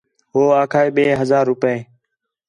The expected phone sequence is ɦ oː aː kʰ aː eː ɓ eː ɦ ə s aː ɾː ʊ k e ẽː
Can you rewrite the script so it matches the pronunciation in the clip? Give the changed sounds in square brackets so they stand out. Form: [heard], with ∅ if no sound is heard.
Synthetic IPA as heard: ɦ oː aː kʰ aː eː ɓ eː ɦ ə [z] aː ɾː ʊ [p] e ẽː